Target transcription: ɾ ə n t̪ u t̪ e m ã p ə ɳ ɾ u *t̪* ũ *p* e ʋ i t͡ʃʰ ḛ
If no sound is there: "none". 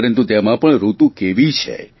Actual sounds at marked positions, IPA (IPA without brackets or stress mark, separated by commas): t̪, k